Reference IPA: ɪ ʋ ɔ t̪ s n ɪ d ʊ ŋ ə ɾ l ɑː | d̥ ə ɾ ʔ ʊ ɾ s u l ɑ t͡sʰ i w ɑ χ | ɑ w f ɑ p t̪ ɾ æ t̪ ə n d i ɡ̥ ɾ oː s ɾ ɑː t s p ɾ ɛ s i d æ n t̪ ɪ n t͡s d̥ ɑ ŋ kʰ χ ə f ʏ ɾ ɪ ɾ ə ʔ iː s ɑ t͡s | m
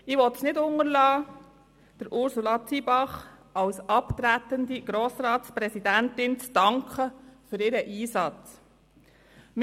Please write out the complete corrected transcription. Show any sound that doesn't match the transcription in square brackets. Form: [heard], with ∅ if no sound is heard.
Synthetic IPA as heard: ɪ ʋ ɔ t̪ s n ɪ d ʊ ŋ ə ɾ l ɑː | d̥ ə ɾ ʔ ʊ ɾ s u l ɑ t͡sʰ i [b] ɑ χ | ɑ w [s] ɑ p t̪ ɾ æ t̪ ə n d i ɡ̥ ɾ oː s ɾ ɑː t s p ɾ ɛ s i d æ n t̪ ɪ n t͡s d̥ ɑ ŋ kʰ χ ə f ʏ ɾ ɪ ɾ ə ʔ iː s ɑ t͡s | m